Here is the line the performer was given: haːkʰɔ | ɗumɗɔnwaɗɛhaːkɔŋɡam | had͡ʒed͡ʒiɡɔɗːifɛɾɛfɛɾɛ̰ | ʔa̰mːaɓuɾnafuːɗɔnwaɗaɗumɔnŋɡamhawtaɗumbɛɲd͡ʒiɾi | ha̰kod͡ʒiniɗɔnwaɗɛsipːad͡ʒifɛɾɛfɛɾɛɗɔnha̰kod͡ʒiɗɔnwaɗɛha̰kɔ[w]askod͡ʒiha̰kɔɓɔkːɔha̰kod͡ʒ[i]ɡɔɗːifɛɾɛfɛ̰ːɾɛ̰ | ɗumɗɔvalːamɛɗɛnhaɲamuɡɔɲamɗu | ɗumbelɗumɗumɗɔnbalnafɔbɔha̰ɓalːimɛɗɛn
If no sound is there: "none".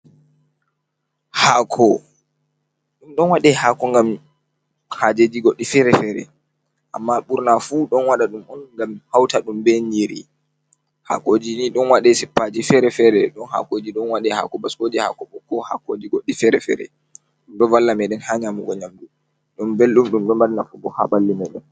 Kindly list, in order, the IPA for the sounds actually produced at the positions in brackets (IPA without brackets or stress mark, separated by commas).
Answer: b, i